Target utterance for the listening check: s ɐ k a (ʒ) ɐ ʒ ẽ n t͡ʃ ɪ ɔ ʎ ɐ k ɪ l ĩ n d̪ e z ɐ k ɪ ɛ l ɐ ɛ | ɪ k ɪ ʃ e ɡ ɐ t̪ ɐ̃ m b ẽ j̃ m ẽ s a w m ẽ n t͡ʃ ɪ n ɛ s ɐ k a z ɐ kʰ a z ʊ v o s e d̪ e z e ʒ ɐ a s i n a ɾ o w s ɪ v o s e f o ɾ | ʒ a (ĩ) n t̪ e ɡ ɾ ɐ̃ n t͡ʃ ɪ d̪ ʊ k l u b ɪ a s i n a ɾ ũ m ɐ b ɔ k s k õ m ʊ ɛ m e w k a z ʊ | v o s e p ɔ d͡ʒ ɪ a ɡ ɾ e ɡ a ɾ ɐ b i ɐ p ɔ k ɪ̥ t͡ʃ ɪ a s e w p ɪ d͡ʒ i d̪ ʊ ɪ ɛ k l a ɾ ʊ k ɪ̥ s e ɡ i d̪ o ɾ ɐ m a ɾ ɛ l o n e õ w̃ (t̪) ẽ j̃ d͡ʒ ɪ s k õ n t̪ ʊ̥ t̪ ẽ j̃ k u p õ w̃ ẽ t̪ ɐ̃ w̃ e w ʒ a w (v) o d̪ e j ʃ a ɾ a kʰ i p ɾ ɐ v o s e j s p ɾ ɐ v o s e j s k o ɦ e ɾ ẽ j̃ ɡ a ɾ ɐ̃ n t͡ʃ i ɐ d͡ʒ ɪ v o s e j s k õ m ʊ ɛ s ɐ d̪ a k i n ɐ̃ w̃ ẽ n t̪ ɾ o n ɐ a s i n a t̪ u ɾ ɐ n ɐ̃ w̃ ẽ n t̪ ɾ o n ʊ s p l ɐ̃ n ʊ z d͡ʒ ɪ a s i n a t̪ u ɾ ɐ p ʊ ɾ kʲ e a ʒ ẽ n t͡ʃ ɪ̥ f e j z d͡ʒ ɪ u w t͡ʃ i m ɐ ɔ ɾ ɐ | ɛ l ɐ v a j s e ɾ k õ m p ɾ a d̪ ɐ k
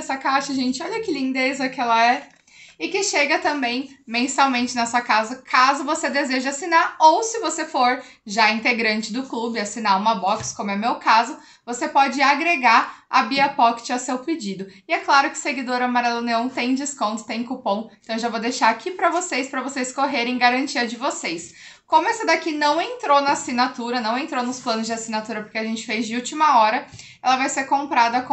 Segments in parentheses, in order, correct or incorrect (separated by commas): incorrect, correct, correct, correct